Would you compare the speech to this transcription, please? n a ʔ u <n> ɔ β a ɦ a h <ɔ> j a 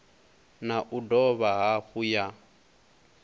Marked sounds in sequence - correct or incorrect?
incorrect: d, incorrect: u

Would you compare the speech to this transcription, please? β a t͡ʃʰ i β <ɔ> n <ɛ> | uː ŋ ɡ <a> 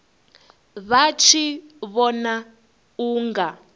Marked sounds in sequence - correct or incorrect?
correct, incorrect: a, correct

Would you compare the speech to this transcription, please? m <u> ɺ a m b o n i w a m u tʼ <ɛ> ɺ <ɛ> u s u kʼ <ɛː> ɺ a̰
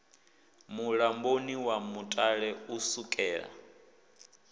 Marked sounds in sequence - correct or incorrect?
correct, incorrect: a, correct, correct

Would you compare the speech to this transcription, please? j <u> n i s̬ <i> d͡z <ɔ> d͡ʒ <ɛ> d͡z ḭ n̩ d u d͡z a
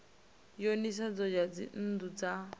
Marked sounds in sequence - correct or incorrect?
incorrect: o, incorrect: a, correct, incorrect: a

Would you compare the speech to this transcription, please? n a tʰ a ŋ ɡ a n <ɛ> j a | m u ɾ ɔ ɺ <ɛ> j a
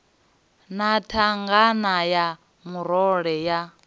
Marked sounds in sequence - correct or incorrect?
incorrect: a, correct

